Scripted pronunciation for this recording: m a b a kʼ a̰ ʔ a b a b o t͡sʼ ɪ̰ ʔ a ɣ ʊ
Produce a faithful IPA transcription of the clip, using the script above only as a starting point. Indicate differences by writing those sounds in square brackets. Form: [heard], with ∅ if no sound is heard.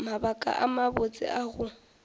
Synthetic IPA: m a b a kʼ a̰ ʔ a [m] a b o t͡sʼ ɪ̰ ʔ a ɣ ʊ